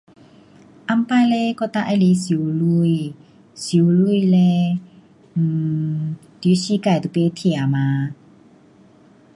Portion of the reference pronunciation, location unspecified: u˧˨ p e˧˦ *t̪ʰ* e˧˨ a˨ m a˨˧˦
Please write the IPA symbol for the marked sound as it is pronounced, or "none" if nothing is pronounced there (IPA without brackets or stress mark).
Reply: t̪ʰ